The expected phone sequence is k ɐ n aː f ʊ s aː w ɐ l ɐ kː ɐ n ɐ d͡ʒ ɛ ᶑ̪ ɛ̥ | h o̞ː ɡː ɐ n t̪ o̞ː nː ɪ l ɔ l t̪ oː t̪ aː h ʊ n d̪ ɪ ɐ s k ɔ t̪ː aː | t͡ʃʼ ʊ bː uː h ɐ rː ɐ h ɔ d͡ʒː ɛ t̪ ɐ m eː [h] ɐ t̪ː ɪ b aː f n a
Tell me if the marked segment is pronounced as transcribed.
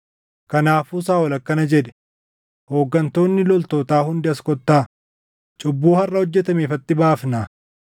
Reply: no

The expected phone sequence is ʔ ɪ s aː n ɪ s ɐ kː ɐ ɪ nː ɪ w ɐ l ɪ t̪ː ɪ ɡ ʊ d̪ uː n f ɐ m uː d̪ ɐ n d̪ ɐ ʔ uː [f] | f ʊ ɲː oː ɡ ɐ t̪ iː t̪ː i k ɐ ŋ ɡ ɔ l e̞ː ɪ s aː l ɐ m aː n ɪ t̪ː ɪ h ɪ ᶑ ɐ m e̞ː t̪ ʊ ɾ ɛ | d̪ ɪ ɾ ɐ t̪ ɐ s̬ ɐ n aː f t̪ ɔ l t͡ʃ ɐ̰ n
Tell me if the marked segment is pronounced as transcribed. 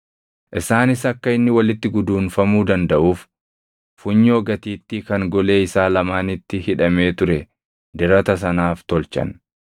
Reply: yes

